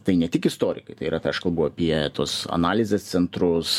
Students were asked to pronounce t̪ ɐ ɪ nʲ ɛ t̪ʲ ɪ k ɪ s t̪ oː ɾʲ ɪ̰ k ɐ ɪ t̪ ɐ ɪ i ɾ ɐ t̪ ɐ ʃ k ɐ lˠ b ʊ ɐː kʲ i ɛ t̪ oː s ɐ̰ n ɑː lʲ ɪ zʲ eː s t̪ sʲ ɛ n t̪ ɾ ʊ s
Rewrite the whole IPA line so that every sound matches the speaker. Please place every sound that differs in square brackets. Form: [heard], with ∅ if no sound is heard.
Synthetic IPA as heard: t̪ ɐ ɪ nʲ ɛ t̪ʲ ɪ k ɪ s t̪ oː ɾʲ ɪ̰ k ɐ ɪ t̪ ɐ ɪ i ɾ ɐ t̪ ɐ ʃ k ɐ lˠ b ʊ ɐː [pʲ] i ɛ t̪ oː s ɐ̰ n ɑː lʲ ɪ zʲ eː s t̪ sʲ ɛ n t̪ ɾ ʊ s